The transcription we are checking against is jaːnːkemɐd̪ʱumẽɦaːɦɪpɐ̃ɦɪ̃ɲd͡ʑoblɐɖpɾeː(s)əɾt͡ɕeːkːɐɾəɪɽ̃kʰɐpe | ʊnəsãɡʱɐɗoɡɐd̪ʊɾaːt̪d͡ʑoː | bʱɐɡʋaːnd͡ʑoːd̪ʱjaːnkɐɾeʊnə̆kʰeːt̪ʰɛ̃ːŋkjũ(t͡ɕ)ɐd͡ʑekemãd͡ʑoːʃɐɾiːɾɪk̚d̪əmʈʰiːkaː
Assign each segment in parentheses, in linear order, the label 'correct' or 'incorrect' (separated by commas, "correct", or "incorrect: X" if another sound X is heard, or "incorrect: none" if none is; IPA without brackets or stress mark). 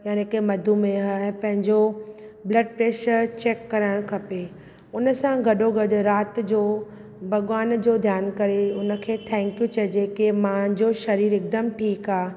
incorrect: ʃ, correct